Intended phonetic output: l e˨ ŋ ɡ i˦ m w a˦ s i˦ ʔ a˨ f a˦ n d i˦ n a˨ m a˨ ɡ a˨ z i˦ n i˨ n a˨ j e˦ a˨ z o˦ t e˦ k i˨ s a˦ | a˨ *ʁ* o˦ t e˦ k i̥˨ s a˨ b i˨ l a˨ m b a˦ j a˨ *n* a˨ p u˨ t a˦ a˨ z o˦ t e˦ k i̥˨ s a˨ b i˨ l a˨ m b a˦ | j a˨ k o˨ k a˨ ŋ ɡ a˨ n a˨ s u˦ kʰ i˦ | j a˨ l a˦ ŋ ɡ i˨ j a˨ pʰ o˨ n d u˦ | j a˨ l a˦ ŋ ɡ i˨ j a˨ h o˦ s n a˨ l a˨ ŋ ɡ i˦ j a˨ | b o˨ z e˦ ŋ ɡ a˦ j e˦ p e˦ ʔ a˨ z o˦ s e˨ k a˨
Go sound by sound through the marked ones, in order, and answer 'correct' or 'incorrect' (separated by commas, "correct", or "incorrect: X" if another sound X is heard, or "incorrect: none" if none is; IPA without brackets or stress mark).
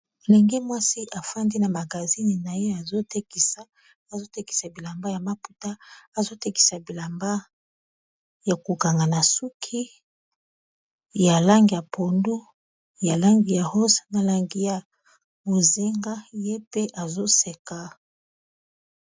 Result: incorrect: z, incorrect: m